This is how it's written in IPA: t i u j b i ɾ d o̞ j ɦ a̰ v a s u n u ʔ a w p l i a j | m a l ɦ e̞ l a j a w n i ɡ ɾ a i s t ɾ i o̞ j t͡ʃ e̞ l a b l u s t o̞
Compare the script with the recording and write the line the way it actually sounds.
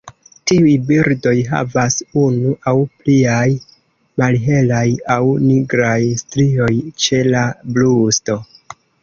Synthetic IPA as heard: t i u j b i ɾ d o̞ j ɦ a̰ v a s u n u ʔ a w p l i a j | m a l ɦ e̞ l a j a w n i ɡ ɾ a j s t ɾ i o̞ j t͡ʃ e̞ l a b l u s t o̞